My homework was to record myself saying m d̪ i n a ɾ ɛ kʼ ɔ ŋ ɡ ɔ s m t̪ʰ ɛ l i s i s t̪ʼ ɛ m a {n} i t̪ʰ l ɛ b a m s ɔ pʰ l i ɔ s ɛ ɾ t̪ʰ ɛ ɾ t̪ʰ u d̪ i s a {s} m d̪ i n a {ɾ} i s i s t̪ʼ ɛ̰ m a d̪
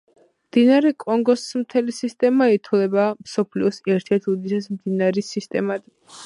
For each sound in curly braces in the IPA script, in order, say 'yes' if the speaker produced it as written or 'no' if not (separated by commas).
no, yes, yes